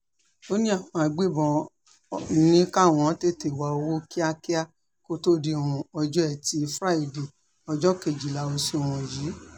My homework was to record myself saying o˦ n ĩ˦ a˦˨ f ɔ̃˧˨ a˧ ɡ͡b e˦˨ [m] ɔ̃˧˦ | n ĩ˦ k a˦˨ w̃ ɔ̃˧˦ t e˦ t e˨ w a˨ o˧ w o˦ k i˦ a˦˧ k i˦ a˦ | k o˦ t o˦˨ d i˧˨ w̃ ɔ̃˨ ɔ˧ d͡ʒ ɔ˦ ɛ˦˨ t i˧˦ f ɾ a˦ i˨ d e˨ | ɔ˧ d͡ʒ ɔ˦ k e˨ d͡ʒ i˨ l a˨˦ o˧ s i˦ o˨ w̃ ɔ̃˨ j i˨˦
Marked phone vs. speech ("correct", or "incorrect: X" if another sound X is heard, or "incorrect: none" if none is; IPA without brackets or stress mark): incorrect: b